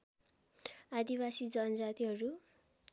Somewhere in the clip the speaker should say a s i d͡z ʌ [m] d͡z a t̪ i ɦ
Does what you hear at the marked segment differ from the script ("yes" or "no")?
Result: yes